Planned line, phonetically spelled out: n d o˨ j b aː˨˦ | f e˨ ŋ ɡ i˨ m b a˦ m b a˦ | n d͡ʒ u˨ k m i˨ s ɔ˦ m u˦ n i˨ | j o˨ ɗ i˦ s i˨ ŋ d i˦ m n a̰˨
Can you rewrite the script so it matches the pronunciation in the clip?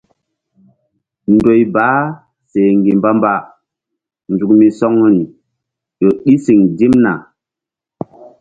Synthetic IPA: n d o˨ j b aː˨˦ | s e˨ ŋ ɡ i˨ m b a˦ m b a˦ | n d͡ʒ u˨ k m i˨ s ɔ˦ ŋ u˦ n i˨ | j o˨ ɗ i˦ s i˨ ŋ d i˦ m n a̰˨